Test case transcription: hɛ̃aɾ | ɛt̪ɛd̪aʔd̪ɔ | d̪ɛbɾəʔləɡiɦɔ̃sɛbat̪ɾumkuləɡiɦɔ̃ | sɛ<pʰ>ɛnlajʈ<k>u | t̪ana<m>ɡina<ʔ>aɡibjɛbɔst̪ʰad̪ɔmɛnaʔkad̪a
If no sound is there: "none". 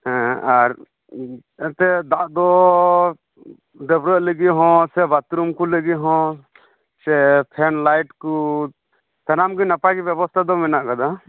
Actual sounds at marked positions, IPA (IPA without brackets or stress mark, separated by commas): pʰ, k, m, p